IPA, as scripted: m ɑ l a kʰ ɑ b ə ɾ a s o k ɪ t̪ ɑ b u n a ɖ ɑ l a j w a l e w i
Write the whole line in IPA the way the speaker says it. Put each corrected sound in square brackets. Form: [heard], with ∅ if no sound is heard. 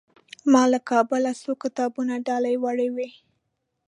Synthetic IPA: m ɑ l a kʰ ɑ b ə [l] a s o k ɪ t̪ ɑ b u n a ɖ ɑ l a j w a [ɽ] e w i

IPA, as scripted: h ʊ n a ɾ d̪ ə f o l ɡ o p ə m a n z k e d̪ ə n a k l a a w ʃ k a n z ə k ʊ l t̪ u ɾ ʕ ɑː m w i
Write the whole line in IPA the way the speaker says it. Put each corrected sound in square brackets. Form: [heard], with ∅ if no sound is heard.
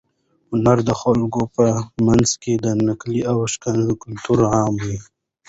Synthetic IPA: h ʊ n a ɾ d̪ ə [x] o l ɡ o p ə m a n z k e d̪ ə n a k l [i] a w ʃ k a n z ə k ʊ l t̪ u ɾ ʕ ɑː m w i

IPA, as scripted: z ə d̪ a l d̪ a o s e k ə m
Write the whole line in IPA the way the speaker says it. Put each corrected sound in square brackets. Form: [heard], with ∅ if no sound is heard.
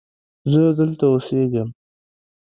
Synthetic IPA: z ə d̪ [ə] l [t̪] a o s e [ɡ] ə m

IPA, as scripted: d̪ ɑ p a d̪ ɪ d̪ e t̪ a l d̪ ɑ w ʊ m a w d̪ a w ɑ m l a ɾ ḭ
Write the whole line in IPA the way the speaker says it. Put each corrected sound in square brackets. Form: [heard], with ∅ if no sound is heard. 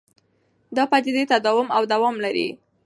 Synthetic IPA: d̪ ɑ p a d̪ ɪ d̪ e t̪ a [∅] d̪ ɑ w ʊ m a w d̪ a w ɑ m l a ɾ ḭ

